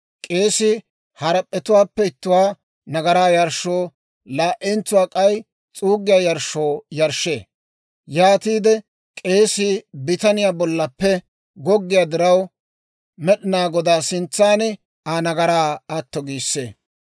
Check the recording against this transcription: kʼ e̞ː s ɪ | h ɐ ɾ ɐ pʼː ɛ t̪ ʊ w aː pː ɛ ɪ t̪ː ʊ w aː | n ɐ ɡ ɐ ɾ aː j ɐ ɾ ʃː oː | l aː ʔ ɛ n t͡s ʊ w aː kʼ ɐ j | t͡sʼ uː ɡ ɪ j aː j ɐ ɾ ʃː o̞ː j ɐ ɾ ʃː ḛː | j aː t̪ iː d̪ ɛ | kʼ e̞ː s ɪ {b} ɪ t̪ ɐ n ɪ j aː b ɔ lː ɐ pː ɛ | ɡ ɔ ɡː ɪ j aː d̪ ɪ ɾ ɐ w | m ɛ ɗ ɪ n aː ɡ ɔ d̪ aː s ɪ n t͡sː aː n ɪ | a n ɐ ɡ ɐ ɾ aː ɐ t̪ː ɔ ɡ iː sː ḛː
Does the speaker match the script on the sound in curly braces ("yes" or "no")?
yes